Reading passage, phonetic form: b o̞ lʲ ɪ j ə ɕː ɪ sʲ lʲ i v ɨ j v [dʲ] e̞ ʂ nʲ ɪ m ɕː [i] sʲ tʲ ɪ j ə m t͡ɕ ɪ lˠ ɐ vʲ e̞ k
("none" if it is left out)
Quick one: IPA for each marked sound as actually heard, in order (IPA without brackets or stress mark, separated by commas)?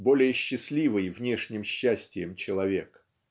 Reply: nʲ, æ